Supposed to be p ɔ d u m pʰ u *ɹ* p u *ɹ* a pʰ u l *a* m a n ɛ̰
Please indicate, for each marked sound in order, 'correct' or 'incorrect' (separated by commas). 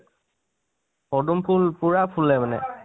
incorrect, correct, incorrect